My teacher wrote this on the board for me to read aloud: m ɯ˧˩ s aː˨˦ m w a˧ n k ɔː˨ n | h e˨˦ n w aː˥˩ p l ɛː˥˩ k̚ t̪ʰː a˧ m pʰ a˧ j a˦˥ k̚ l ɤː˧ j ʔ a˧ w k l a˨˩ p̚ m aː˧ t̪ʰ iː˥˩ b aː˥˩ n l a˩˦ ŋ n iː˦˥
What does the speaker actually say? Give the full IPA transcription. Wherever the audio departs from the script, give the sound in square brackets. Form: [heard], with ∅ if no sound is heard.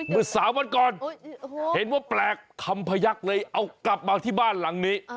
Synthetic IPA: m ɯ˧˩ s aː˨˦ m w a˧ n k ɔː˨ n | h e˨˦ n w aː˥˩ p l [ɛː˨˩] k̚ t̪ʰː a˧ m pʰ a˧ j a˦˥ k̚ l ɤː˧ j ʔ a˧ w k l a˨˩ p̚ m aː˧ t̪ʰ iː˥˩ b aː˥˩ n l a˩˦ ŋ n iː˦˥

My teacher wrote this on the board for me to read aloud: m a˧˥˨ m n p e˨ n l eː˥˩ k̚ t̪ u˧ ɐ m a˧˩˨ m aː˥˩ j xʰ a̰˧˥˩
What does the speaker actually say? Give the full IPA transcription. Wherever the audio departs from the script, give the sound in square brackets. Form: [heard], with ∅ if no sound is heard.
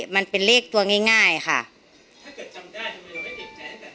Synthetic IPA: m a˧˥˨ [∅] n p e˨ n l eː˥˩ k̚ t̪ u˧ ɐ [ŋ] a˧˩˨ [ŋ] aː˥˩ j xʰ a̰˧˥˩

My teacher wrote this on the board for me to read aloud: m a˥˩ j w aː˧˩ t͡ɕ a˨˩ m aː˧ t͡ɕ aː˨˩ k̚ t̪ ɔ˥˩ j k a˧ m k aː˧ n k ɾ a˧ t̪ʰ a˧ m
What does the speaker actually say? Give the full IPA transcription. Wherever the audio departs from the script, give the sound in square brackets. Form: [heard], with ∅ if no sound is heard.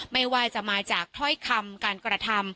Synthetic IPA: m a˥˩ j w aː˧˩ t͡ɕ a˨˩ m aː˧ t͡ɕ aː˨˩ k̚ [t̪ʰ] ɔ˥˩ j [kʰ] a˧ m k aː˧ n k ɾ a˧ t̪ʰ a˧ m

